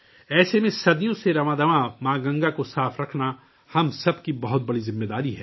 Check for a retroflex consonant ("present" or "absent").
present